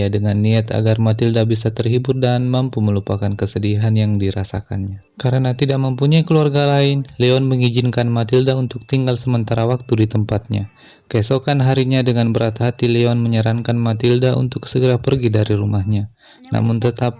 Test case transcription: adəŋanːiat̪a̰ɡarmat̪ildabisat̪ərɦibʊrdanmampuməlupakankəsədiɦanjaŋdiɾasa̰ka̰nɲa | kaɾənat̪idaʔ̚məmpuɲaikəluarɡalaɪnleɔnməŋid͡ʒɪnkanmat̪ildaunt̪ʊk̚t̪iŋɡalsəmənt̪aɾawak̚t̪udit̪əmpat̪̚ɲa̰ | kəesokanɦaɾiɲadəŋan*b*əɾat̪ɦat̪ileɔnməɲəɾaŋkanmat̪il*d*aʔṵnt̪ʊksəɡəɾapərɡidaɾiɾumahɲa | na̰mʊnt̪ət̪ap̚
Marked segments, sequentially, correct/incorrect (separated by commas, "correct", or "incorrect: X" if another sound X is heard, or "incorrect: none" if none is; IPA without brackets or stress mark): correct, correct